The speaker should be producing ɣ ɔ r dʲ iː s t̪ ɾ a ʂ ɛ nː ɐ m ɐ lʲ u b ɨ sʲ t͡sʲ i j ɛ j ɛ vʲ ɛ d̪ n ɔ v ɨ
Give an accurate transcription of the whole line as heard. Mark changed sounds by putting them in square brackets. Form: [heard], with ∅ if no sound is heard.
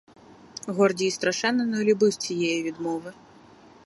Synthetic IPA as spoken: ɣ ɔ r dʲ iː s t̪ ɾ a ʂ ɛ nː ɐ [n] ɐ lʲ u b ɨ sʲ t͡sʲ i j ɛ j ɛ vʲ [i] d̪ [m] ɔ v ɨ